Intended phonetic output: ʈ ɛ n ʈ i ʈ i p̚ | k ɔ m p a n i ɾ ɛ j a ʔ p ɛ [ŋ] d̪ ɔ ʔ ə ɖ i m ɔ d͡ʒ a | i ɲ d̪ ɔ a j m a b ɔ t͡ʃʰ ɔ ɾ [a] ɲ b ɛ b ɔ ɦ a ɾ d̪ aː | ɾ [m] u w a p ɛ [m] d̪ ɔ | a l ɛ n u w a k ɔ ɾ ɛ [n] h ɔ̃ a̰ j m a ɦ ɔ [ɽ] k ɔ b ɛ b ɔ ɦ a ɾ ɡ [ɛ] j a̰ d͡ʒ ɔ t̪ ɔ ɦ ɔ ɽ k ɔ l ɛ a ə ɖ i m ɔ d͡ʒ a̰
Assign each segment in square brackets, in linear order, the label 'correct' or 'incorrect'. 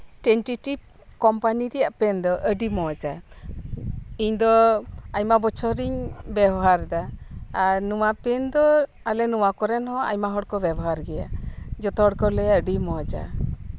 incorrect: n, incorrect: i, incorrect: n, incorrect: n, correct, correct, correct

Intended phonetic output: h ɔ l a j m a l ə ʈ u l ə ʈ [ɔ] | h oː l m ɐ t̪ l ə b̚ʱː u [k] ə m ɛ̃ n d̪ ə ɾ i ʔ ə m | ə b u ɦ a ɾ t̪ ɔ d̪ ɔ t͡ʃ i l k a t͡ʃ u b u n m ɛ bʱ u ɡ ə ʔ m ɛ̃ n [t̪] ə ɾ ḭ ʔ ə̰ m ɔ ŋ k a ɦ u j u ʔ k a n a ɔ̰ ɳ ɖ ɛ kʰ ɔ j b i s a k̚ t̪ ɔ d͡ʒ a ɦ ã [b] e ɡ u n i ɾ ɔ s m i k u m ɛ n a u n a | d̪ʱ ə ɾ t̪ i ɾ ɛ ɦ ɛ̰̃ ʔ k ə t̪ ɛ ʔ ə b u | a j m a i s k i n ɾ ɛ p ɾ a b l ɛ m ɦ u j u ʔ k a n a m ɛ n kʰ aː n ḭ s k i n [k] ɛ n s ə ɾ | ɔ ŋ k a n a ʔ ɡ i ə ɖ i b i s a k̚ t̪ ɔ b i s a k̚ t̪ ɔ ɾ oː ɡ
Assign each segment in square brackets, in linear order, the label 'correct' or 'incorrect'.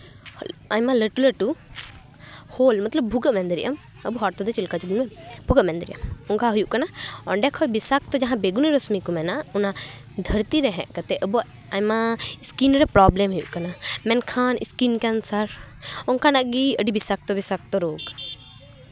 incorrect: u, incorrect: ɡ, incorrect: d̪, correct, correct

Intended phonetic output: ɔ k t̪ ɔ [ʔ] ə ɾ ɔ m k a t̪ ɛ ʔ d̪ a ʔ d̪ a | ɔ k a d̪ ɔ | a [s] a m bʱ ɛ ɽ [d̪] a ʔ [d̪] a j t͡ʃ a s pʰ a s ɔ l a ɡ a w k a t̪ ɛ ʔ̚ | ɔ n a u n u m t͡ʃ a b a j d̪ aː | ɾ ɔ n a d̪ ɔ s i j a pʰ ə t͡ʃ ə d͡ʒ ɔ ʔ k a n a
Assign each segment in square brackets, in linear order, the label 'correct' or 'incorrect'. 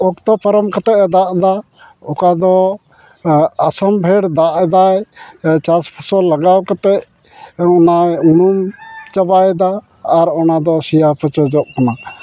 incorrect: p, correct, correct, correct

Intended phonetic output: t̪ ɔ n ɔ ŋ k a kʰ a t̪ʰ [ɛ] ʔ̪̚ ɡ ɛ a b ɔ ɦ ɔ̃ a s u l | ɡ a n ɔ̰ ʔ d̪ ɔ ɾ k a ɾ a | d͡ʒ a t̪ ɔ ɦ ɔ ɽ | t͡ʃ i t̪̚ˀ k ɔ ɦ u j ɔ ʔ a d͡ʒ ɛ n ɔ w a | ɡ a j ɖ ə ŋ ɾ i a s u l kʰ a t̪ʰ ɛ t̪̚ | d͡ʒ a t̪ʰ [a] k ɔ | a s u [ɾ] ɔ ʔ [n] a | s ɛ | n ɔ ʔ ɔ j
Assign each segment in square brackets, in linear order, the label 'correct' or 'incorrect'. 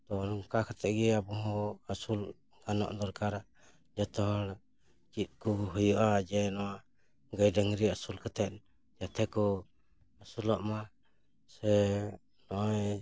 correct, incorrect: ɛ, incorrect: l, incorrect: m

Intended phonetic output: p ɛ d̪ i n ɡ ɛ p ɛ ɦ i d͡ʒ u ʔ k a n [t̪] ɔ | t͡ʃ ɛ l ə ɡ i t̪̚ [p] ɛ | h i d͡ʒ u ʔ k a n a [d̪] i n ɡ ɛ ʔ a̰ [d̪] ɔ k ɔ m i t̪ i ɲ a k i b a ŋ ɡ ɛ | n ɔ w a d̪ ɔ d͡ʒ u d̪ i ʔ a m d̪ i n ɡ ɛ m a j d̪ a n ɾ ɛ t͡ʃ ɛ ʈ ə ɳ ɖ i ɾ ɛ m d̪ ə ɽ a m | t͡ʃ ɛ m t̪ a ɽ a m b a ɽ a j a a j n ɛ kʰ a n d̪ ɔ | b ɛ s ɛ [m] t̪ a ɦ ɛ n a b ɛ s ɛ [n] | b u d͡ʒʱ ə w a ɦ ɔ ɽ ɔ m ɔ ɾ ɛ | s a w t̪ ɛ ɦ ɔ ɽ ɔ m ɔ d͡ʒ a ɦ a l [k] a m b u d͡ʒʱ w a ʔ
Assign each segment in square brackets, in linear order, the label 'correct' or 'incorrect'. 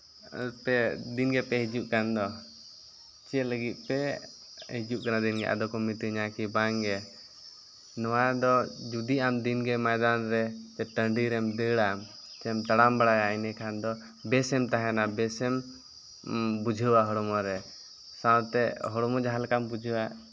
incorrect: d̪, correct, correct, correct, correct, incorrect: m, correct

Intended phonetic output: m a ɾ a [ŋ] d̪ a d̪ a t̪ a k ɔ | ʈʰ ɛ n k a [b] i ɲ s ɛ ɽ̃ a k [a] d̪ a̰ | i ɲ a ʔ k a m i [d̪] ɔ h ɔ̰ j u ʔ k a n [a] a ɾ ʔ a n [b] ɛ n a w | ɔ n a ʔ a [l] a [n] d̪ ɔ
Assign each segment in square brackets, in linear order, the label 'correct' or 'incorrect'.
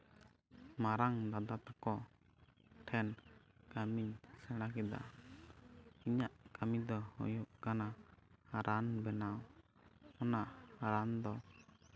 correct, incorrect: m, incorrect: ɛ, correct, correct, correct, incorrect: ɾ, correct

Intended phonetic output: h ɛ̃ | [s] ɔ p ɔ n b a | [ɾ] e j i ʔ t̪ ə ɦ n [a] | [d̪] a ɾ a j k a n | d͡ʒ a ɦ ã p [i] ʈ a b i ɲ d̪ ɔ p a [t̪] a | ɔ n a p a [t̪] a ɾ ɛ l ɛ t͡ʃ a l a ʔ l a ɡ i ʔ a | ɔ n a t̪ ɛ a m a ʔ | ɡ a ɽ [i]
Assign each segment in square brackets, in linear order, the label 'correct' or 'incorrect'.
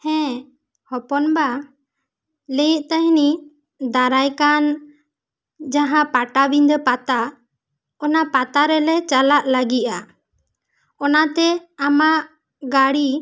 incorrect: h, incorrect: l, incorrect: i, correct, incorrect: a, correct, correct, correct

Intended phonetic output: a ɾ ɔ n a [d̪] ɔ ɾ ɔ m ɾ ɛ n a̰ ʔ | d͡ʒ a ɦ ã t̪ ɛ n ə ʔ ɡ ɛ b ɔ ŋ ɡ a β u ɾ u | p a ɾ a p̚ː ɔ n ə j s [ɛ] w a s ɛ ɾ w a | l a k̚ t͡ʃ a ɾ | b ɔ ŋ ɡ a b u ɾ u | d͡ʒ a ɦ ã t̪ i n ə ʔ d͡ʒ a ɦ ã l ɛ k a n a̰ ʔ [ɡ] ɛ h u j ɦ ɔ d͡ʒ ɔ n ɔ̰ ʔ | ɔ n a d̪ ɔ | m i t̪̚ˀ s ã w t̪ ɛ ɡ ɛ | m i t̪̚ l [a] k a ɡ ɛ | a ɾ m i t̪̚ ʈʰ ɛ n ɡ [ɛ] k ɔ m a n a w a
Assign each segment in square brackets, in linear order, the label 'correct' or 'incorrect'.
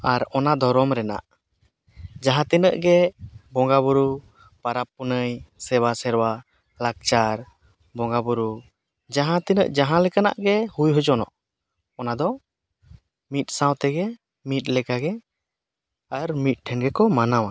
correct, correct, correct, incorrect: ɛ, correct

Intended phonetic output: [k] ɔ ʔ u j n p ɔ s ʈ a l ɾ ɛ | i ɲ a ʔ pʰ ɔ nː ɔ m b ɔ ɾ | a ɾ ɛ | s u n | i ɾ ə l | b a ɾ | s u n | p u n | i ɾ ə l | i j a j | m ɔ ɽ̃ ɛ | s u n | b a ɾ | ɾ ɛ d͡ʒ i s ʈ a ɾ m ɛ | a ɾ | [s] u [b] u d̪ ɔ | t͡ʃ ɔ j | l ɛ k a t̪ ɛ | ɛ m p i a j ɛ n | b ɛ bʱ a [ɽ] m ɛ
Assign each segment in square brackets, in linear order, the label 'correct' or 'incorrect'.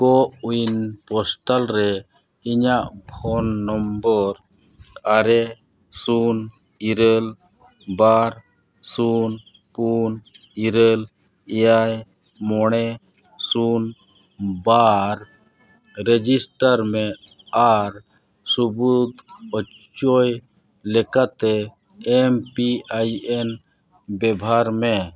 correct, correct, correct, incorrect: ɾ

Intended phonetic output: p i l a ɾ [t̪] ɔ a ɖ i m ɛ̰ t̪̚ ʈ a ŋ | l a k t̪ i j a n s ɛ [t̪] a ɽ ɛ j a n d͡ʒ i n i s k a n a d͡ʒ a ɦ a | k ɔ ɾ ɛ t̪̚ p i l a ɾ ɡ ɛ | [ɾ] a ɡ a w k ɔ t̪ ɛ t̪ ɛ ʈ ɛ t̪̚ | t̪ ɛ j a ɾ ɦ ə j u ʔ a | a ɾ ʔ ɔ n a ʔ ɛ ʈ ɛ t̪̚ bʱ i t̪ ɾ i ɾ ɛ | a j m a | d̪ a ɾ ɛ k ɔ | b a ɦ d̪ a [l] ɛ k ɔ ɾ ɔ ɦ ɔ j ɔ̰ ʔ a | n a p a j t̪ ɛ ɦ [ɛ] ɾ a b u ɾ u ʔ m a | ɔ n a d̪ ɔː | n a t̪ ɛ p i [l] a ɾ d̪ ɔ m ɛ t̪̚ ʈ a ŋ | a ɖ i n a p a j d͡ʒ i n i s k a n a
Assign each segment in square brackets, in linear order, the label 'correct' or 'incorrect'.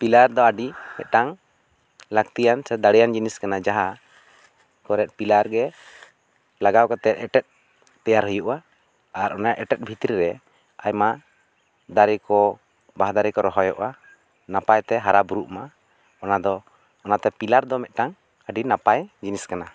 incorrect: d̪, incorrect: d̪, incorrect: l, incorrect: ɾ, incorrect: a, correct

